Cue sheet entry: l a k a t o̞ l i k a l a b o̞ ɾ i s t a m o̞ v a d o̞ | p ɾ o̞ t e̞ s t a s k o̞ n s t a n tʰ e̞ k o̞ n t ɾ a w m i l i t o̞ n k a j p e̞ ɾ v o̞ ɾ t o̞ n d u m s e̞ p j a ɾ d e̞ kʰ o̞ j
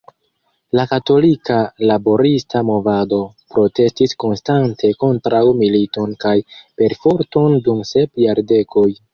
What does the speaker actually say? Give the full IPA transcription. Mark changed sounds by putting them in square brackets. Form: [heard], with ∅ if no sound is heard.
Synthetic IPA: l a k a t o̞ l i k a l a b o̞ ɾ i s t a m o̞ v a d o̞ | p ɾ o̞ t e̞ s t [i] s k o̞ n s t a n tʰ e̞ k o̞ n t ɾ a w m i l i t o̞ n k a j p e̞ ɾ [f] o̞ ɾ t o̞ n d u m s e̞ p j a ɾ d e̞ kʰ o̞ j